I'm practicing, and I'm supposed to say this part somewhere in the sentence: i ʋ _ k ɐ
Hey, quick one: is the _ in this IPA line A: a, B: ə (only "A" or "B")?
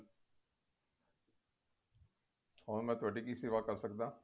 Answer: A